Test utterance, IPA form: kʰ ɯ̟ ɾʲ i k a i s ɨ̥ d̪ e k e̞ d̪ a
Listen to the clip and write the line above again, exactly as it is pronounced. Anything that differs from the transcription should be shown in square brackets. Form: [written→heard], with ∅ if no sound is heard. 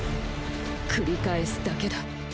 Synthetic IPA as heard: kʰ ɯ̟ ɾʲ i k a [i→e] s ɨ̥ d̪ [e→a] k e̞ d̪ a

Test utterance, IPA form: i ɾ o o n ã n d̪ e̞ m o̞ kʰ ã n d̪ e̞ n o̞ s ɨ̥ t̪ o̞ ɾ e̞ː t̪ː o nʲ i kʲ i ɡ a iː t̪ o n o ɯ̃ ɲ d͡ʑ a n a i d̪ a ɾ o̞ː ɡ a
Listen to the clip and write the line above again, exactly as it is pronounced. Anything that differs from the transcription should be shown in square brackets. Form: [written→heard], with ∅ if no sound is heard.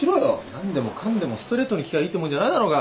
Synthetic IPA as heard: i ɾ o o n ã n d̪ e̞ m o̞ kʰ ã n d̪ e̞ [n→m] o̞ s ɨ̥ t̪ o̞ ɾ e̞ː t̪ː o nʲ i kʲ i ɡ a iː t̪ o [n→m] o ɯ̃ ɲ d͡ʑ a n a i d̪ a ɾ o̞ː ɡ a

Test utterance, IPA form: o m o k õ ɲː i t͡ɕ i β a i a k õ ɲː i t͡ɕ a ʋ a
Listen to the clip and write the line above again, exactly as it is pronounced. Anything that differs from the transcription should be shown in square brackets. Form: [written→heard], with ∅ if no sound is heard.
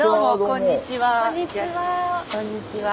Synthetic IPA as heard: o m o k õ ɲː i t͡ɕ i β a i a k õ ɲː i t͡ɕ [a→i] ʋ a

